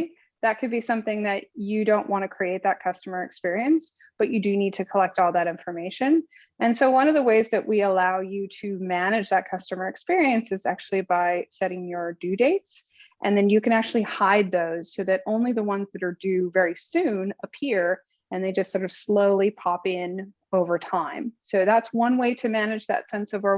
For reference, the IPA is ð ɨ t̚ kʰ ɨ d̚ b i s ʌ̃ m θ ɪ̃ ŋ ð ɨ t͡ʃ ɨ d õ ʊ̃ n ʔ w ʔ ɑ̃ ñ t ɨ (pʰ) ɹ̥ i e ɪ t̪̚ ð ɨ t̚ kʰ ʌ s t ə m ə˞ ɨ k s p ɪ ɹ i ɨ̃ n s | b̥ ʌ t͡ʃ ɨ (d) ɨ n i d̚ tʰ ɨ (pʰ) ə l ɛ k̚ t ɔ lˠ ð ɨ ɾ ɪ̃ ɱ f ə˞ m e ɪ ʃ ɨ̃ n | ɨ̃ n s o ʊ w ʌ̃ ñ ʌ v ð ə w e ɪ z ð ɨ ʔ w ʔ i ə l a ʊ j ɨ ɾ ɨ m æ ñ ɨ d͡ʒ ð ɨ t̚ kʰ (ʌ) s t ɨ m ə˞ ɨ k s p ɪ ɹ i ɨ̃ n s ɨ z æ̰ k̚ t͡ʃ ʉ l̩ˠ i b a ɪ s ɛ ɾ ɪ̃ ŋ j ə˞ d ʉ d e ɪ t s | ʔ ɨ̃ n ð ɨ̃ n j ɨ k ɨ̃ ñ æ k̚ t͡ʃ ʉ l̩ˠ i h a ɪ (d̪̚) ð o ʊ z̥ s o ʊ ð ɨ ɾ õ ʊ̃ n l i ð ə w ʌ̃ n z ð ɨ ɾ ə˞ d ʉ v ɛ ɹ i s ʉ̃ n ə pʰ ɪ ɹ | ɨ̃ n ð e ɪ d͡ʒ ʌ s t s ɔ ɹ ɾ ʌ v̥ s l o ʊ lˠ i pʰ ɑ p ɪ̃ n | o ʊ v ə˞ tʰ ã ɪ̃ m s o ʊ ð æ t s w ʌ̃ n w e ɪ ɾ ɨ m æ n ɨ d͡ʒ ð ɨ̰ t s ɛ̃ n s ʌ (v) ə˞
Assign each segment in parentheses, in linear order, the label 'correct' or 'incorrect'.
incorrect: kʰ, correct, incorrect: kʰ, correct, correct, correct

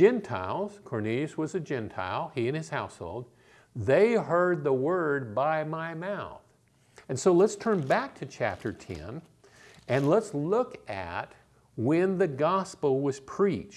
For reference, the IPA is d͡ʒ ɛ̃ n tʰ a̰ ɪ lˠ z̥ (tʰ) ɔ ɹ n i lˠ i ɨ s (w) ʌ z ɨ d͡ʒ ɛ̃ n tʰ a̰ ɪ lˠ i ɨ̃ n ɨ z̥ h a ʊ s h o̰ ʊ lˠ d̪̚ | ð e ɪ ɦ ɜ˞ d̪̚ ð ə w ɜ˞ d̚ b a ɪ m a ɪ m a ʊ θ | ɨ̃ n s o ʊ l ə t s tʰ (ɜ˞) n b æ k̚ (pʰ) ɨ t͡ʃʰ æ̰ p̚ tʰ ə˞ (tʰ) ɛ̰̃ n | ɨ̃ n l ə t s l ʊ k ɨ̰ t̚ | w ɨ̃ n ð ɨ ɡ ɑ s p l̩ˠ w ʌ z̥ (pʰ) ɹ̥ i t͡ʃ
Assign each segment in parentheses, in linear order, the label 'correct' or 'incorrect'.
incorrect: kʰ, correct, incorrect: ɜ̃˞, incorrect: tʰ, correct, correct

